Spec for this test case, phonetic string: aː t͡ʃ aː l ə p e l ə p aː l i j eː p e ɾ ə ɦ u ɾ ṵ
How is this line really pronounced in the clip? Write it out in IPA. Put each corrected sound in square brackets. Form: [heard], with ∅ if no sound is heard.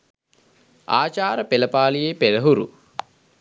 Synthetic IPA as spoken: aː t͡ʃ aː [ɾ] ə p e l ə p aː l i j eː p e [l] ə ɦ u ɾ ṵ